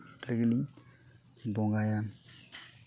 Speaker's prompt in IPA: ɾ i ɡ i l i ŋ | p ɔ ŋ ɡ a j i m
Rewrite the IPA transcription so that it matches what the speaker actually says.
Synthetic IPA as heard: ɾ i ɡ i l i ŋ | b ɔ ŋ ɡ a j a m